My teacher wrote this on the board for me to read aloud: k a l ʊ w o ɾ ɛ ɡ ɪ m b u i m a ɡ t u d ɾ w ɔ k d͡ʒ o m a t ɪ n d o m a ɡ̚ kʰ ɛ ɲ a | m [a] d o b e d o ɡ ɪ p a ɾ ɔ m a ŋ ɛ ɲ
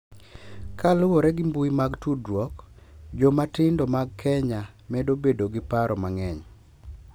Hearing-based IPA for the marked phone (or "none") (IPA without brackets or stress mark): ɛ